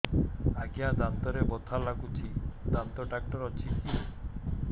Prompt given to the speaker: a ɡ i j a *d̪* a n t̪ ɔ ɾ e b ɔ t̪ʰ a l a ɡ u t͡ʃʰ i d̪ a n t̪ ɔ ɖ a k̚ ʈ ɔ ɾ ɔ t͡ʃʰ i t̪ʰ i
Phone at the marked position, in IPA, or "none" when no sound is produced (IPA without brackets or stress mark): d̪